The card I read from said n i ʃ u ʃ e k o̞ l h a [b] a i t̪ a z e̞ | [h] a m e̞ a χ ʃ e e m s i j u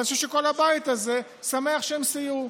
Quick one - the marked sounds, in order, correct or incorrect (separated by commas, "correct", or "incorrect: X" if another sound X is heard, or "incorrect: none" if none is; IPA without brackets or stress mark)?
correct, incorrect: s